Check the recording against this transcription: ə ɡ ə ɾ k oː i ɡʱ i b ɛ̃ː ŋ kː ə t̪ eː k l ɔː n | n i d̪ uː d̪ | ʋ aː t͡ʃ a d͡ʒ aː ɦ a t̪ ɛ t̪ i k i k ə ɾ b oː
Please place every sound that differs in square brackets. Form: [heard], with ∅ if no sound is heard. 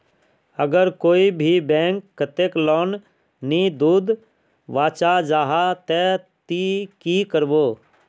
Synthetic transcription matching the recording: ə ɡ ə ɾ k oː i [bʱ] i b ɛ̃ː ŋ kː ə t̪ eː k l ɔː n | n i d̪ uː d̪ | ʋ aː t͡ʃ a d͡ʒ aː ɦ a t̪ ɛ t̪ i k i k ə ɾ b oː